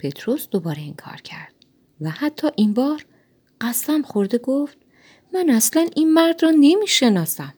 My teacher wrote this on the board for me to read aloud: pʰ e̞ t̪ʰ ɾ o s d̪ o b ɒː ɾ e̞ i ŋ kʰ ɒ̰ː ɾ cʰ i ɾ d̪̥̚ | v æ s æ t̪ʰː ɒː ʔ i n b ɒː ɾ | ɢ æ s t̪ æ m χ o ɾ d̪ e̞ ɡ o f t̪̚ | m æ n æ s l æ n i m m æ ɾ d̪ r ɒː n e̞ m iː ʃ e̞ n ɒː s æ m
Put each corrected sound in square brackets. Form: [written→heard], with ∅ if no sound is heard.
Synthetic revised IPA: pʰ e̞ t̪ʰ ɾ o s d̪ o b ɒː ɾ e̞ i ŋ kʰ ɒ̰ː ɾ cʰ [i→æ] ɾ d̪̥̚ | v æ [s→h] æ t̪ʰː ɒː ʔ i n b ɒː ɾ | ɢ æ s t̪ æ m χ o ɾ d̪ e̞ ɡ o f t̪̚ | m æ n æ s l æ n i [m→n] m æ ɾ d̪ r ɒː n e̞ m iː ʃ e̞ n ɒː s æ m